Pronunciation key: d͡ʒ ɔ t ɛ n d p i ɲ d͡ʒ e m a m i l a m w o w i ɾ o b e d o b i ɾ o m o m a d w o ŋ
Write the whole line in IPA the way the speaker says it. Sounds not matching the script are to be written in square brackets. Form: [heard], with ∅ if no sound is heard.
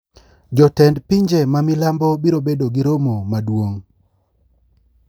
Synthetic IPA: d͡ʒ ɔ t ɛ n d p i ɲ d͡ʒ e m a m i l a m [b] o [b] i ɾ o b e d o [ɡ] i ɾ o m o m a d w o ŋ